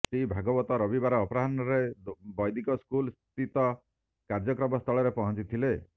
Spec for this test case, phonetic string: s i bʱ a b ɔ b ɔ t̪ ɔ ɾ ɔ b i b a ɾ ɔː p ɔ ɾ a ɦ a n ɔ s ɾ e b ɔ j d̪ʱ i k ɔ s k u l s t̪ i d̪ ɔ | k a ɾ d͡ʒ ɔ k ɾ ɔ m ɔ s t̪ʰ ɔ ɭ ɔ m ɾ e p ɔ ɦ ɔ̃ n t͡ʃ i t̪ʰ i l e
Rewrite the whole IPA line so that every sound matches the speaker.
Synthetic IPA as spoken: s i bʱ a ɡ ɔ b ɔ t̪ ɔ ɾ ɔ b i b a ɾ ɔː p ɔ ɾ a ɦ a n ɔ ɾ e b ɔ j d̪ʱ i k ɔ s k u l s t̪ i t̪ ɔ | k a ɾ d͡ʒ ɔ k ɾ ɔ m ɔ s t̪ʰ ɔ ɭ ɔ ɾ e p ɔ ɦ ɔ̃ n t͡ʃ i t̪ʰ i l e